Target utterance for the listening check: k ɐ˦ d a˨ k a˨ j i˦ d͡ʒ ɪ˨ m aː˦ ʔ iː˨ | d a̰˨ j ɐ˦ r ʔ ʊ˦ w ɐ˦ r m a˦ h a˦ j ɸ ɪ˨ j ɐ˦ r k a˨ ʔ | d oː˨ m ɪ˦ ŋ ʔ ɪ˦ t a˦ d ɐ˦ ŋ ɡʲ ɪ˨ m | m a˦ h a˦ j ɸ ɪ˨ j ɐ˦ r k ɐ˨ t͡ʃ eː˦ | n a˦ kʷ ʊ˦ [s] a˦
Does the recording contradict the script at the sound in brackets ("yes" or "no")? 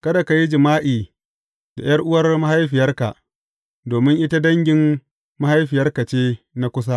no